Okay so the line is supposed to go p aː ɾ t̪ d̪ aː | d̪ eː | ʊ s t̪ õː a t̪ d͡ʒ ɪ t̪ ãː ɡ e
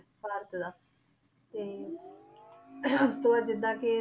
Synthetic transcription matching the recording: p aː ɾ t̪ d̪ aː | t̪ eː | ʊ s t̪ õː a d͡ʒ ɪ d̪ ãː k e